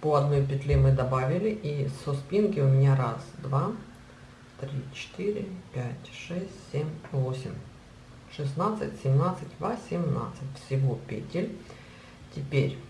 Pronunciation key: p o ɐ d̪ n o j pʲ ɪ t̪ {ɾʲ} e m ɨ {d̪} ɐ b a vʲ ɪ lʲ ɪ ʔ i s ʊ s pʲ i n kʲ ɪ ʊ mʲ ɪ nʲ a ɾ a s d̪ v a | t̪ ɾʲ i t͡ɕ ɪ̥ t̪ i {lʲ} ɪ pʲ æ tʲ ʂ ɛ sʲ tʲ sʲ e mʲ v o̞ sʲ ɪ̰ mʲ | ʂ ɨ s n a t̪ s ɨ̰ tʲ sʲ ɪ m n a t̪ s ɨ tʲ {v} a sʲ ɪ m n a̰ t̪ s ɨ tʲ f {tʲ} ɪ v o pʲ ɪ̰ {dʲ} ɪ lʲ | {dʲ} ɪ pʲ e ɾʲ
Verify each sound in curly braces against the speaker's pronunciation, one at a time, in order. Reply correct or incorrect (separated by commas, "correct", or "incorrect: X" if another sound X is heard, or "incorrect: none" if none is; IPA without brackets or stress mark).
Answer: incorrect: lʲ, correct, incorrect: ɾʲ, correct, incorrect: sʲ, incorrect: tʲ, incorrect: tʲ